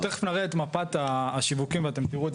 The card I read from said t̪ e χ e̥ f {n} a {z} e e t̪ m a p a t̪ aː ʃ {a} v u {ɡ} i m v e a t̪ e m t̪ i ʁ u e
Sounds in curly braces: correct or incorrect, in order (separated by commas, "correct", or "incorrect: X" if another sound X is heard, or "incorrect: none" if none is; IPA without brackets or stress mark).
correct, incorrect: ʁ, incorrect: i, incorrect: k